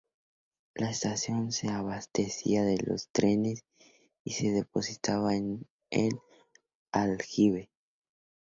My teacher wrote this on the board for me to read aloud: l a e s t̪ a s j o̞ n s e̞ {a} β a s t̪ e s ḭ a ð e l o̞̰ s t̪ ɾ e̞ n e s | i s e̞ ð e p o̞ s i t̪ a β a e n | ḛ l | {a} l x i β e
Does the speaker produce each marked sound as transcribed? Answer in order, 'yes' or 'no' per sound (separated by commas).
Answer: yes, yes